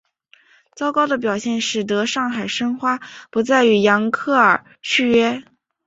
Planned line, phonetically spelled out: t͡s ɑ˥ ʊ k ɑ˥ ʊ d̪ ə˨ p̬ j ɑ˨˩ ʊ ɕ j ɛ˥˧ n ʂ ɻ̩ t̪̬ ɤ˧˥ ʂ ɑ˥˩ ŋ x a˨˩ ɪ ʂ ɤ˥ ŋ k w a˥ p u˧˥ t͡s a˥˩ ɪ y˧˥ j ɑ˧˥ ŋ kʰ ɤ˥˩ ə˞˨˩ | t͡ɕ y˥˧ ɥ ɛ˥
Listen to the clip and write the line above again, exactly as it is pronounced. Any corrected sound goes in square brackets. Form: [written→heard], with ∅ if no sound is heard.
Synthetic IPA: t͡s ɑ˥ ʊ k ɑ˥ ʊ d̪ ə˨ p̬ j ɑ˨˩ ʊ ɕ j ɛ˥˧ n ʂ ɻ̩ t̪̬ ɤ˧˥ ʂ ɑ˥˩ ŋ x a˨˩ ɪ ʂ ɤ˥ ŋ [k→x] w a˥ p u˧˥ t͡s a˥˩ ɪ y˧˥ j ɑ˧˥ ŋ kʰ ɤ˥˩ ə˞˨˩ | [t͡ɕ→t͡ɕʰ] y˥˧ ɥ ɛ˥